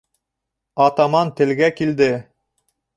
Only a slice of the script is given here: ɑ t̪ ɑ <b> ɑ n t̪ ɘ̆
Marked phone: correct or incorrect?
incorrect